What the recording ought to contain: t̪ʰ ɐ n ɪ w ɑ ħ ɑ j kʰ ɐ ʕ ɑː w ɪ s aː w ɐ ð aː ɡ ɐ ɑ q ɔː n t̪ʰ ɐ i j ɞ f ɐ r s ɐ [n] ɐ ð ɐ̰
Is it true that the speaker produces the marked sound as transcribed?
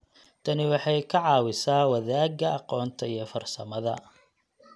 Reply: no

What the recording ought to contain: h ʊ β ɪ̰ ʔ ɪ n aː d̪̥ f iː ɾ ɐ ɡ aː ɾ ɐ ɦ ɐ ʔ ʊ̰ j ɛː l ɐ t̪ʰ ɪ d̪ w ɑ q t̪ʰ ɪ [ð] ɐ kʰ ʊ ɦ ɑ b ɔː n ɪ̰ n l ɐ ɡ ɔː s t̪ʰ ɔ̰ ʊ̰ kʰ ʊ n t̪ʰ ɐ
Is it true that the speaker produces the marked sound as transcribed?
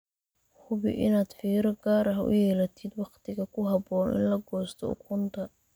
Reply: no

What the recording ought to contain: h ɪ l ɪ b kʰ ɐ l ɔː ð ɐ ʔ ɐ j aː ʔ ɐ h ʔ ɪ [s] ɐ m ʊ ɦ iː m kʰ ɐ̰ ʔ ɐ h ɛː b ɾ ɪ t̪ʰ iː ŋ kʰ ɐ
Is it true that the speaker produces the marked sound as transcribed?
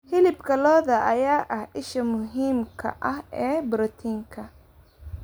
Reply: no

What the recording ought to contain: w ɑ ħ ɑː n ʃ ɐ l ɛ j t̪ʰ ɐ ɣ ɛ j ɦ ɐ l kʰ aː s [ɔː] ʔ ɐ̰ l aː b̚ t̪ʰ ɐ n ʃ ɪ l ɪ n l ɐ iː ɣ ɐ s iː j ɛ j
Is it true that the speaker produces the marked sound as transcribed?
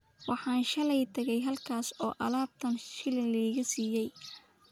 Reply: yes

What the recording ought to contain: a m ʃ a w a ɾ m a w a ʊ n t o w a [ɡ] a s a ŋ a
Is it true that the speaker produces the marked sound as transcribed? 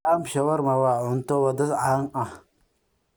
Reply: no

